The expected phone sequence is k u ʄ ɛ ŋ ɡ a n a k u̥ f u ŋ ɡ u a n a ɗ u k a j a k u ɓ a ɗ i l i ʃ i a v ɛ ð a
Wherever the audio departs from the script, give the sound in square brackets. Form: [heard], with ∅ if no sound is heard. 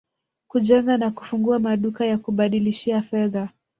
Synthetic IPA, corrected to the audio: k u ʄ ɛ ŋ ɡ a n a k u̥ f u ŋ ɡ u a [m] a ɗ u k a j a k u ɓ a ɗ i l i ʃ i a [f] ɛ ð a